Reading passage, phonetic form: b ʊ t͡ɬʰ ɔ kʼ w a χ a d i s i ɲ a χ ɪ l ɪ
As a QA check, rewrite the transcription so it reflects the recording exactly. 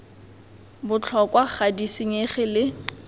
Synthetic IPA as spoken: b ʊ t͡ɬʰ ɔ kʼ w a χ a d i s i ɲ e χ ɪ l ɪ